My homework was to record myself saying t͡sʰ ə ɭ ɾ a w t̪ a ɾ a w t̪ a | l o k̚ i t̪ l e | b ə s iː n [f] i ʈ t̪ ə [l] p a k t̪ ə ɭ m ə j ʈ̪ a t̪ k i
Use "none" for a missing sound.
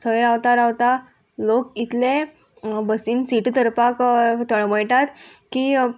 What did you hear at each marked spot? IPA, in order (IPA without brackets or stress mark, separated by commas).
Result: s, ɾ